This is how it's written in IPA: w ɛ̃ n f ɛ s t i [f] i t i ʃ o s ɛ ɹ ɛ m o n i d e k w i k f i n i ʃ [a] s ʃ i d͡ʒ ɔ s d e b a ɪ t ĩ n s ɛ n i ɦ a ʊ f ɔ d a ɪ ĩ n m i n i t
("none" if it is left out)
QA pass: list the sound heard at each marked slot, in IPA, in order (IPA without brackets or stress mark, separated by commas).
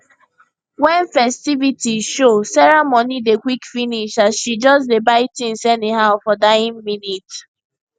v, a